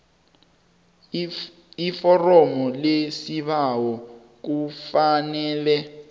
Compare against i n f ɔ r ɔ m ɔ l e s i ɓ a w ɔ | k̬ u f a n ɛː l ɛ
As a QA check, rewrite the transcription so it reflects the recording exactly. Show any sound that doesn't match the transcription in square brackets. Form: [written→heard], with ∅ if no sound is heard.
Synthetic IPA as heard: i [n→∅] f ɔ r ɔ m ɔ l e s i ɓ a w ɔ | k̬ u f a n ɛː l ɛ